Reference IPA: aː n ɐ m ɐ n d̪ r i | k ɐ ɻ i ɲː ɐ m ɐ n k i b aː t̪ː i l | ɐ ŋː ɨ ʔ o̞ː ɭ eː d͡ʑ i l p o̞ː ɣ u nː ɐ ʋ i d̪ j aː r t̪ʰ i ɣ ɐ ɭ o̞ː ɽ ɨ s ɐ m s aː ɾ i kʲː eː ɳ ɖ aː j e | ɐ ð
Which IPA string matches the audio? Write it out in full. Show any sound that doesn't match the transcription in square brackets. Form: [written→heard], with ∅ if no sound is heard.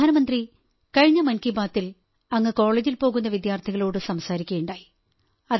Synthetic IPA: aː n ɐ m ɐ n d̪ r i | k ɐ ɻ i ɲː ɐ m ɐ n k i b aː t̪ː i l | ɐ ŋː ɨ [ʔ→k] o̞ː ɭ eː d͡ʑ i l p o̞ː ɣ u nː ɐ ʋ i d̪ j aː r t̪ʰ i ɣ ɐ ɭ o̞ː ɽ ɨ s ɐ m s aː ɾ i kʲː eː ɳ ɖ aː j [e→i] | ɐ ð